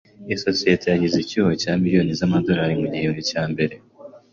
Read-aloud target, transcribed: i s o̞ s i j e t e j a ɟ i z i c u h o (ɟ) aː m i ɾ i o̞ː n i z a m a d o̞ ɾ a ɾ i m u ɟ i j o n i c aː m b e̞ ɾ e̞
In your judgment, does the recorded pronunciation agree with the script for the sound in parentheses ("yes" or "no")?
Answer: no